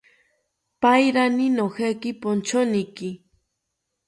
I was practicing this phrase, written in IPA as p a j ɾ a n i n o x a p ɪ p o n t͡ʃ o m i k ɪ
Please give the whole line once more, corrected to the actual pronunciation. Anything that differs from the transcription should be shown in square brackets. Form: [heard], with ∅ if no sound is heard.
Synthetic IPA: p a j ɾ a n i n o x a [k] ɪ p o n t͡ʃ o [n] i k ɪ